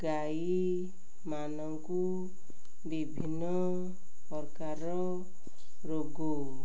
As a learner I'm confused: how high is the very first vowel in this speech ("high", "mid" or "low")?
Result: low